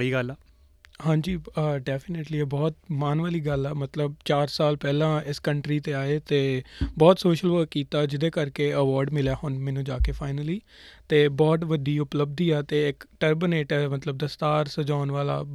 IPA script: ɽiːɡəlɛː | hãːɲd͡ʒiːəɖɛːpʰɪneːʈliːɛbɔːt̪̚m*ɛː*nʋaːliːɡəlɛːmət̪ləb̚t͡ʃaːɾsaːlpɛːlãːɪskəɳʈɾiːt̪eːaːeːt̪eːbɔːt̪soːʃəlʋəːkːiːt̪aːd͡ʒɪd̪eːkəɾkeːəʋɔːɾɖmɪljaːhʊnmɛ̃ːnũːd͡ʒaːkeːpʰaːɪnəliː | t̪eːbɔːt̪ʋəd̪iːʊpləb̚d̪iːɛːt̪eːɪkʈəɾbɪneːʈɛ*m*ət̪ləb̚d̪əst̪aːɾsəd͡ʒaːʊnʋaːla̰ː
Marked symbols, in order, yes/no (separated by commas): no, yes